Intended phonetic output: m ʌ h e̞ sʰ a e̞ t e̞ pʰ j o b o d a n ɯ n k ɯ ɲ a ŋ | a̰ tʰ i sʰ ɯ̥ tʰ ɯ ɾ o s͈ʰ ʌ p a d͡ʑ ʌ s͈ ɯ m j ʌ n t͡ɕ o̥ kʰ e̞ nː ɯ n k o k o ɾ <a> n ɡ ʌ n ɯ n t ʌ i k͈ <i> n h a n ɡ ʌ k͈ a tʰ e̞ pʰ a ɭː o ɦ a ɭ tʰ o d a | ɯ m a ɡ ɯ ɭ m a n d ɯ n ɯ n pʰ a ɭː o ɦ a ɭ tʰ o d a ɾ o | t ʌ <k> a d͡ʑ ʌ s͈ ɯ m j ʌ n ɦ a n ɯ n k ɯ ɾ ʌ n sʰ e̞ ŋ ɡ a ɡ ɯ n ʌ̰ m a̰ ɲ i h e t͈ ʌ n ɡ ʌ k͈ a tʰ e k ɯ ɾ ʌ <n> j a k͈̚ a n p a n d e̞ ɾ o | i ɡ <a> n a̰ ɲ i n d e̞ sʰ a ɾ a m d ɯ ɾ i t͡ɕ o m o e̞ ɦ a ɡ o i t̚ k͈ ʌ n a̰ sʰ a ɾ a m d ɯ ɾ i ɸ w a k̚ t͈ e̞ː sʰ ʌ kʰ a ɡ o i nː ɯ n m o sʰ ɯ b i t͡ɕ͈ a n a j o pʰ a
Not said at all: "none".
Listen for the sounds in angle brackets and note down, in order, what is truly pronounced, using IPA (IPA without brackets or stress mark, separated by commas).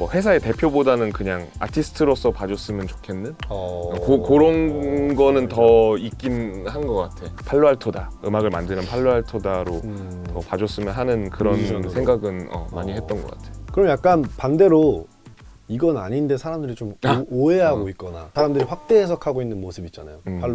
ʌ, i, p, m, ʌ